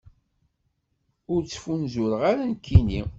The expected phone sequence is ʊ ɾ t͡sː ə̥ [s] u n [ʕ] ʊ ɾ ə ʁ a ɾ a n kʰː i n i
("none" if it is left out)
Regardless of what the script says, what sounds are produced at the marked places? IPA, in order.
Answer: f, z

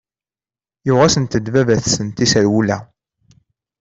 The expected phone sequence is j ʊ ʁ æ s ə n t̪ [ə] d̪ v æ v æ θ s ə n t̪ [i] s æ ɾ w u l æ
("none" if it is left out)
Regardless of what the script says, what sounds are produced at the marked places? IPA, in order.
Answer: ə, i

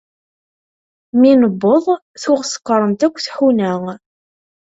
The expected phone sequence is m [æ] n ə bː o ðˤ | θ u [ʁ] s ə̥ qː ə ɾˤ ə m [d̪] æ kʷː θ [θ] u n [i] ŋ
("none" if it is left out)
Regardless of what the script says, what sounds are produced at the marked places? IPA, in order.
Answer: i, ʁ, t̪, ħ, æ

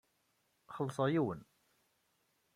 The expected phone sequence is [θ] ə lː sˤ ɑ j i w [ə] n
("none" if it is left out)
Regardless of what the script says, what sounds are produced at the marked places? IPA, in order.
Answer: χ, ə

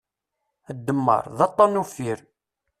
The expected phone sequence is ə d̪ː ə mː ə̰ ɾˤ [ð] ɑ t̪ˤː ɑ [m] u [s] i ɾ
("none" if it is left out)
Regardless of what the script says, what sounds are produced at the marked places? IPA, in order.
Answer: ð, n, f

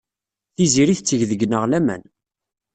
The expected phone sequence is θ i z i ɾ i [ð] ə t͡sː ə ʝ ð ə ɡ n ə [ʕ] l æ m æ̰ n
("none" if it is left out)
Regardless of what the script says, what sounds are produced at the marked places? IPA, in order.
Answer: θ, ʁ

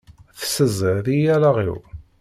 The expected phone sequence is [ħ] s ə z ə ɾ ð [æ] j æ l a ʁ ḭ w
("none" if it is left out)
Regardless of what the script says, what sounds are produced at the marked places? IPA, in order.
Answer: θ, i

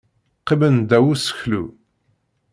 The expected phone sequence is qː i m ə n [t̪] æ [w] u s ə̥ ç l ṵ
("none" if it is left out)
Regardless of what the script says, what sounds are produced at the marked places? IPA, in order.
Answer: d̪, w

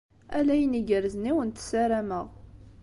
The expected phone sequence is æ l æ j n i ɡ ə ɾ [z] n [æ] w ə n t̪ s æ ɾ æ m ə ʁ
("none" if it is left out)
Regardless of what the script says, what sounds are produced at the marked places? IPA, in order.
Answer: z, i

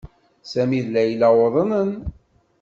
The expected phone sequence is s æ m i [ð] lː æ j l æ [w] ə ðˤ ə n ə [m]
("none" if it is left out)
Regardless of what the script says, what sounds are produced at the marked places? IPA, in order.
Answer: ð, w, n

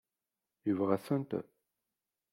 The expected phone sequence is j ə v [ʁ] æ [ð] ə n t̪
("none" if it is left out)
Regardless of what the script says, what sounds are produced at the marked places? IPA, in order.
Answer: ʁ, θ

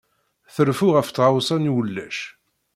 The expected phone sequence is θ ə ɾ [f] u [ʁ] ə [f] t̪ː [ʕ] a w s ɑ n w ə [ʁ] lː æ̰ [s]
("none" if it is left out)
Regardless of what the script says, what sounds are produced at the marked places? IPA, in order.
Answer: f, ʁ, f, ʁ, none, ʃ

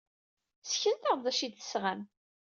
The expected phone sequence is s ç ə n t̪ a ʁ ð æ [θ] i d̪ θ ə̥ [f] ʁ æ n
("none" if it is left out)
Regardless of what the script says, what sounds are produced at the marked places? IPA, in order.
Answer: ʃ, s

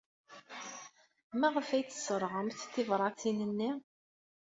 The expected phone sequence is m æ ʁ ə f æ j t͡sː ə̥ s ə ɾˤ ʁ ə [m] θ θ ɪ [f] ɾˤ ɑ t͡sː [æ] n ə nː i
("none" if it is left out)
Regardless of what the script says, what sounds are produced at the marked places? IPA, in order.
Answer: m, v, i

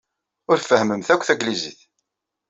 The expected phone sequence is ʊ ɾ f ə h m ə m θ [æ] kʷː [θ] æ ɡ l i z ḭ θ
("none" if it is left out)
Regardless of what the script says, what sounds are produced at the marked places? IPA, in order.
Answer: æ, θ

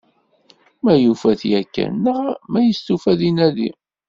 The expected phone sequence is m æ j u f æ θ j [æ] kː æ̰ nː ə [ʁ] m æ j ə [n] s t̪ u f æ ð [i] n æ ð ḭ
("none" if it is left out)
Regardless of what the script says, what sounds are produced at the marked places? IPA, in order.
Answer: æ, ʁ, none, i

